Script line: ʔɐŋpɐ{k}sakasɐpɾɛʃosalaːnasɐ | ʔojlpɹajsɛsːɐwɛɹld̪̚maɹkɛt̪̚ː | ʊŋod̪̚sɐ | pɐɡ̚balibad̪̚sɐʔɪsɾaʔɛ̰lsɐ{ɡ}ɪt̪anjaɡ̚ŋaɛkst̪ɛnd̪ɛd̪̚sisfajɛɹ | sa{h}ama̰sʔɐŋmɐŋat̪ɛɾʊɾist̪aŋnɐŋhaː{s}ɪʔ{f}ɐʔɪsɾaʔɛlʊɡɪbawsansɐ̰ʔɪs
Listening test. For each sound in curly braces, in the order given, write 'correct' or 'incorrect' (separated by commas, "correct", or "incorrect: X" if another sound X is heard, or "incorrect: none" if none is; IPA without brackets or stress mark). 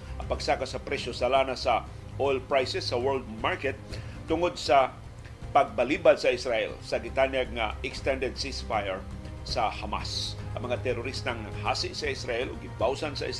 incorrect: ɡ, correct, correct, correct, incorrect: s